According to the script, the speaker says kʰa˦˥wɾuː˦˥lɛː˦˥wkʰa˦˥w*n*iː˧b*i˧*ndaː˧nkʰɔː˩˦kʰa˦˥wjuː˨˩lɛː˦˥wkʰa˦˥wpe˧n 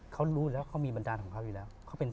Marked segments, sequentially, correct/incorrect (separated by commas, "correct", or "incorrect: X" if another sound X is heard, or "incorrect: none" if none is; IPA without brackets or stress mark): incorrect: m, incorrect: a˧